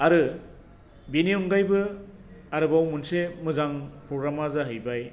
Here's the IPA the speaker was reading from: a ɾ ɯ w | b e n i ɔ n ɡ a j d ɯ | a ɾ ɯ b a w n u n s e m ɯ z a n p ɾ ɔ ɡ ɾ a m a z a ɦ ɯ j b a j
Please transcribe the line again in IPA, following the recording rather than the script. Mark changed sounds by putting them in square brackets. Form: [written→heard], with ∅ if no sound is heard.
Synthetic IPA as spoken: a ɾ ɯ [w→∅] | b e n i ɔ [n→ŋ] ɡ a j [d→b] ɯ | a ɾ ɯ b a w [n→m] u n s e m ɯ z a [n→ŋ] p ɾ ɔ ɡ ɾ a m a z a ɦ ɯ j b a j